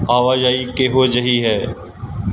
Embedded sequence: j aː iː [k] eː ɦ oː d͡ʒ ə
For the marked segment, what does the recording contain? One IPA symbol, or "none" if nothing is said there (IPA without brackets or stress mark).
k